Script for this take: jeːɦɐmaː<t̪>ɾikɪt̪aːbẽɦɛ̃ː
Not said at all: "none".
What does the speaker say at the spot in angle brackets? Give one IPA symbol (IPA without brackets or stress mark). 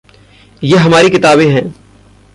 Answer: none